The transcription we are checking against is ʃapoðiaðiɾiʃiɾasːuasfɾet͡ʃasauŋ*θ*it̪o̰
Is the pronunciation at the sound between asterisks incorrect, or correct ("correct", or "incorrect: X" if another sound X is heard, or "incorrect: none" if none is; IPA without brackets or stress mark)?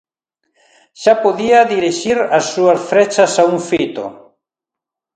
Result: incorrect: f